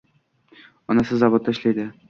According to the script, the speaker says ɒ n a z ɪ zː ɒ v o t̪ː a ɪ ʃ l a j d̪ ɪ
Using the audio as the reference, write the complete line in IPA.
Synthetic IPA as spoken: ɒ n a s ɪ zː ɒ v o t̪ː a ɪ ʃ l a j d̪ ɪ